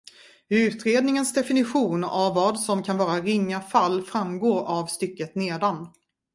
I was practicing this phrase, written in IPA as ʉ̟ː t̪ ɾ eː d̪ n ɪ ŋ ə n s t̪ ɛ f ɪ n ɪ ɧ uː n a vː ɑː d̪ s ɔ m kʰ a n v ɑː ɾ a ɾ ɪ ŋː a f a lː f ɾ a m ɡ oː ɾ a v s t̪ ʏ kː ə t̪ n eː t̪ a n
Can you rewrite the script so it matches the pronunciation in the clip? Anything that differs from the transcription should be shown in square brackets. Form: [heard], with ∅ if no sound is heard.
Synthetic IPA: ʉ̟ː t̪ ɾ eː d̪ n ɪ ŋ ə n s [d̪] ɛ f ɪ n ɪ ɧ uː n a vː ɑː d̪ s ɔ m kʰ a n v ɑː ɾ a ɾ ɪ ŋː a f a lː f ɾ a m ɡ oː ɾ a v s t̪ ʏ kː ə t̪ n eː [d̪] a n